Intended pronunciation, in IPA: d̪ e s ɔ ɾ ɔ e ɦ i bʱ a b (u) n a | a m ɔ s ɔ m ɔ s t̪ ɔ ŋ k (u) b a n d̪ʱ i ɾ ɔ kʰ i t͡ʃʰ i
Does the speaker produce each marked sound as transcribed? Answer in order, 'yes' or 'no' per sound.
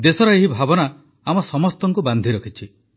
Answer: no, yes

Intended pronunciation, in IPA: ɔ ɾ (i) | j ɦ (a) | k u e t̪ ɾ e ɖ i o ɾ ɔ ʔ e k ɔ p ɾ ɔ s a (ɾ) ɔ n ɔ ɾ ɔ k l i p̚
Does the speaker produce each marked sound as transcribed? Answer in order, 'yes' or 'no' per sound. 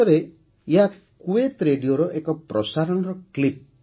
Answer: no, yes, yes

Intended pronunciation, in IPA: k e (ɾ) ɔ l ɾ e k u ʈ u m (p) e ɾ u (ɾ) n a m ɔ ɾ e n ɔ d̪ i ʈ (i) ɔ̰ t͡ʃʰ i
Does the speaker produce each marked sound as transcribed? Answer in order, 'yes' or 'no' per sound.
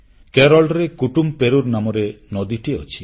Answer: yes, yes, yes, yes

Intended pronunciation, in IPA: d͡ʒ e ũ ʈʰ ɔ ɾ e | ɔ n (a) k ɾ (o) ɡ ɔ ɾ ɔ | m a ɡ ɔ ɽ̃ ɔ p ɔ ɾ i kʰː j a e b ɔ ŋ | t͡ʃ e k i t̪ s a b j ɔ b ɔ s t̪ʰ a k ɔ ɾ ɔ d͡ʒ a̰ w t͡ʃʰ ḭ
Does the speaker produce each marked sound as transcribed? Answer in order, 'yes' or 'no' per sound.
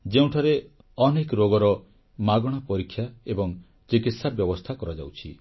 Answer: no, yes

